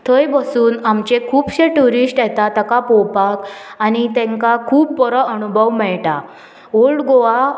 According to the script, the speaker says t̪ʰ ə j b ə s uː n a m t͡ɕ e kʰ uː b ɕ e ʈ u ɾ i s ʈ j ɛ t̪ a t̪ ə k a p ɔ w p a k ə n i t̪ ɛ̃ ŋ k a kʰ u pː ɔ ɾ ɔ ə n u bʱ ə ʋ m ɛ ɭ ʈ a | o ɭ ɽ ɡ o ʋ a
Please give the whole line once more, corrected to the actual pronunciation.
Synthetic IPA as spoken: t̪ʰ ə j b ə s uː n a m t͡ɕ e kʰ uː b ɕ e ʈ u ɾ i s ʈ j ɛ t̪ a t̪ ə k a p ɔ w p a k a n i t̪ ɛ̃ ŋ k a kʰ uː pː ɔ ɾ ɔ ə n u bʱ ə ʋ m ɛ ɭ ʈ a | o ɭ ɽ ɡ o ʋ a